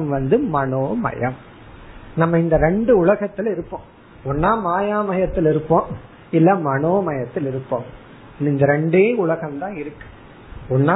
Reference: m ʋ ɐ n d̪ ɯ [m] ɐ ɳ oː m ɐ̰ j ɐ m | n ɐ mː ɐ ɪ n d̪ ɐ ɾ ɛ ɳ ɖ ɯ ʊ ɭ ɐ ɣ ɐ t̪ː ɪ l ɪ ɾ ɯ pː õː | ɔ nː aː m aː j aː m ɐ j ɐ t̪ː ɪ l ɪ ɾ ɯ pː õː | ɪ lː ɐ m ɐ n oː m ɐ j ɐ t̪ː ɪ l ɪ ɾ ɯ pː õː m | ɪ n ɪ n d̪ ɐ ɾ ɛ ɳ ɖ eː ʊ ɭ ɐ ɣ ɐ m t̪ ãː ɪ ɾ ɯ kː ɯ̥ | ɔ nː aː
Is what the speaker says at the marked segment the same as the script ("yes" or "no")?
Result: yes